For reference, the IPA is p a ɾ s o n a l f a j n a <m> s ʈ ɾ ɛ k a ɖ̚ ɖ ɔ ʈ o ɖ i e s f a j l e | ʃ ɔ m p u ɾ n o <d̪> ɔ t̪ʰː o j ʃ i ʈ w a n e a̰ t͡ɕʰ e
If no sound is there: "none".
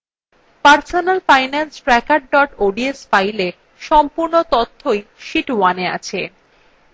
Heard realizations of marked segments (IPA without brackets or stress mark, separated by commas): n, t̪